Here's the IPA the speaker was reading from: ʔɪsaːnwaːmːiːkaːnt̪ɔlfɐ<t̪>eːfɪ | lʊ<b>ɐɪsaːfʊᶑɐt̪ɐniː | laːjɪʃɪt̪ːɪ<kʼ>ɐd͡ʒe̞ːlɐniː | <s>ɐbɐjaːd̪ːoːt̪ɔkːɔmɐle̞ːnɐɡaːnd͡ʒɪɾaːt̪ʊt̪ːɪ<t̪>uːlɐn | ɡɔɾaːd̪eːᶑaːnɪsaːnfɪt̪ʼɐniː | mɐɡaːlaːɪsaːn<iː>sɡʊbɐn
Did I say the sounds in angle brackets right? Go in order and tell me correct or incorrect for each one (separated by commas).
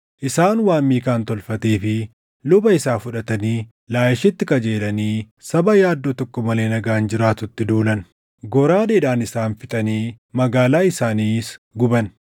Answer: correct, correct, incorrect, correct, incorrect, correct